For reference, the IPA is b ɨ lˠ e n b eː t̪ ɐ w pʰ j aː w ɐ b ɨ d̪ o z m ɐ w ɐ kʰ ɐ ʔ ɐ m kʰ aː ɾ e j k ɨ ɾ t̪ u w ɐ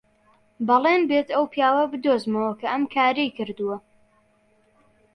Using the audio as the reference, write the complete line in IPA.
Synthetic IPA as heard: b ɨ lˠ e n b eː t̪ ɐ w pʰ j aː w ɐ b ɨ d̪ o z m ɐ w ɐ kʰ ɐ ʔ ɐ m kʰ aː ɾ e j k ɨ ɾ d̪ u w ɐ